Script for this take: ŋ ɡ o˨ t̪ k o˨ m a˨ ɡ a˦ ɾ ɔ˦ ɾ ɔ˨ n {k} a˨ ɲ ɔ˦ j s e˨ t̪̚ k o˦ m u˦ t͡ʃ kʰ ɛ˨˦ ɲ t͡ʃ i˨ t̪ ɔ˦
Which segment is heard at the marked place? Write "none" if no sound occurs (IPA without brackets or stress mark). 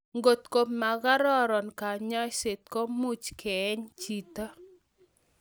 k